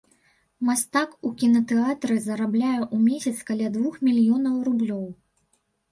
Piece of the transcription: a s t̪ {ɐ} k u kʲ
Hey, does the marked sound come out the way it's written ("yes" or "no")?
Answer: no